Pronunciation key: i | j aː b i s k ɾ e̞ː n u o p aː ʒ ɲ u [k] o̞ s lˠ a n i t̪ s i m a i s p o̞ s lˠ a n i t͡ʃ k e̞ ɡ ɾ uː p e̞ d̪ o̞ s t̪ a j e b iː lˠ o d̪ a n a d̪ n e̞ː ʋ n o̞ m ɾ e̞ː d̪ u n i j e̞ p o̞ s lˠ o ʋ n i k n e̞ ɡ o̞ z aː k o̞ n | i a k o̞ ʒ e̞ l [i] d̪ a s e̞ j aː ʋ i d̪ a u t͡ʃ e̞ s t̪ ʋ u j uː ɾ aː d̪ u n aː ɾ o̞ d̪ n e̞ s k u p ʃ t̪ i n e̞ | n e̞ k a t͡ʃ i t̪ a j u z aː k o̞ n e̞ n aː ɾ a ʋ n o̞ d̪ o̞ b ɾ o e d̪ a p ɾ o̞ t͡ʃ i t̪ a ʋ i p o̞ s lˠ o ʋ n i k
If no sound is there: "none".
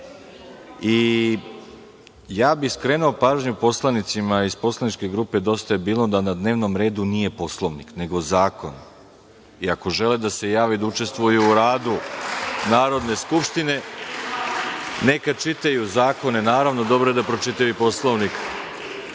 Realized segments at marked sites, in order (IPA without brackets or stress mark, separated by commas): p, e